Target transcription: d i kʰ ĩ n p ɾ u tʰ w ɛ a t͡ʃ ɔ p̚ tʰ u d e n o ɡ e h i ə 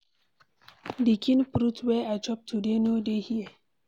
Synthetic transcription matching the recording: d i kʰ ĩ n p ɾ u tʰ w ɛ a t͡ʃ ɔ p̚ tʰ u d e n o d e h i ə